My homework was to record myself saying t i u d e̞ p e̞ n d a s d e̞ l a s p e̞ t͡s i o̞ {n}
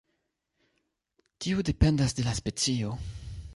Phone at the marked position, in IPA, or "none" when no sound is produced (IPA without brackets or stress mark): none